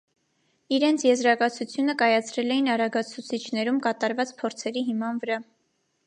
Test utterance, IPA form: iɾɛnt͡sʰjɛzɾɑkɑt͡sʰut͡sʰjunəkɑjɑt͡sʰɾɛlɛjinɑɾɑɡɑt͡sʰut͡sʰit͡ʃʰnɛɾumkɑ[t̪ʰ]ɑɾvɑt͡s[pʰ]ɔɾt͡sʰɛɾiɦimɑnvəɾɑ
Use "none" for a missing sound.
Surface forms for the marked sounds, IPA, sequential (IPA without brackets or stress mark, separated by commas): t̪, pʰ